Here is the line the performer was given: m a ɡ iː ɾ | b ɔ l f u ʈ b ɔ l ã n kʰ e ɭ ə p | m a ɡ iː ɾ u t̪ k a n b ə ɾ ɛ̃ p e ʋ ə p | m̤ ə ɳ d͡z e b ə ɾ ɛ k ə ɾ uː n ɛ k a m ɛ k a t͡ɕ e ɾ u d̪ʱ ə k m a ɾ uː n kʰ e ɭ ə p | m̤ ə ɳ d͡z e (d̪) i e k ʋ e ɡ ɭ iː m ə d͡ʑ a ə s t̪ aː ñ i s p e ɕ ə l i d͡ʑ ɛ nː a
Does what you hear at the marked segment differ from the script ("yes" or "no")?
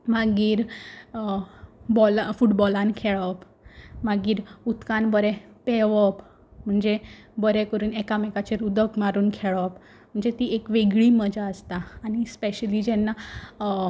yes